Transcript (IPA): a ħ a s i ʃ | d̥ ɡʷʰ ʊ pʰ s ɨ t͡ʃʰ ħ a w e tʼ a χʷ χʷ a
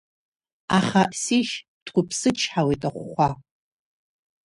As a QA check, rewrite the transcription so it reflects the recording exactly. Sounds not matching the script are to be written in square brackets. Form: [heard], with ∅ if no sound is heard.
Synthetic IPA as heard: a [χ] a s i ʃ | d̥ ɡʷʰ ʊ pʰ s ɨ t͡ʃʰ ħ a w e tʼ a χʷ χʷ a